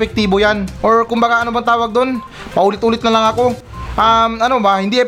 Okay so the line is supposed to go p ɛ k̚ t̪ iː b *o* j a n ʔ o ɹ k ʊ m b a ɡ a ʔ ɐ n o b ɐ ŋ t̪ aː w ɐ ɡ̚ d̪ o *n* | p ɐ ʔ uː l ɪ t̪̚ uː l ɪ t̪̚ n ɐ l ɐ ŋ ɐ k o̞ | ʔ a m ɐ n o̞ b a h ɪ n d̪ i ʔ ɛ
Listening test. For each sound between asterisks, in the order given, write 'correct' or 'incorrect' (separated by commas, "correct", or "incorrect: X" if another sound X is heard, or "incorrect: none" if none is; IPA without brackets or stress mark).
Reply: correct, correct